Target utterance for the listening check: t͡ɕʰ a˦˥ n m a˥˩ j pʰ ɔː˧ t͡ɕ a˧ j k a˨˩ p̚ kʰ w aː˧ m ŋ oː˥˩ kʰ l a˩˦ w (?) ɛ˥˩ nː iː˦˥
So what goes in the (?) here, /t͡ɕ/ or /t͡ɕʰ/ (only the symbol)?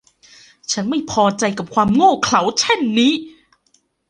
t͡ɕʰ